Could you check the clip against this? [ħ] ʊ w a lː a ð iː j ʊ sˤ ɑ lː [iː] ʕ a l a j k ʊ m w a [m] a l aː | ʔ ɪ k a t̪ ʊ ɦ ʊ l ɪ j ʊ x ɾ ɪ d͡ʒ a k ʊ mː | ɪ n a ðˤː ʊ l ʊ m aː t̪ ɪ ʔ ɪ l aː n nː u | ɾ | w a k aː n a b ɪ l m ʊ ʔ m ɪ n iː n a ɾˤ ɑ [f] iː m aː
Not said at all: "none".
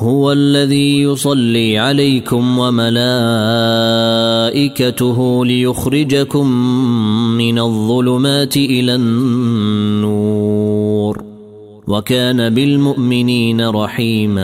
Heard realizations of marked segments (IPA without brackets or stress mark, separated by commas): h, iː, m, ħ